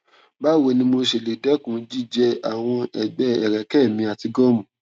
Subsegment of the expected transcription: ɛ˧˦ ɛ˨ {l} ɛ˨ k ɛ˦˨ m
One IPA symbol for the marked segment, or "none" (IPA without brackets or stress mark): ɾ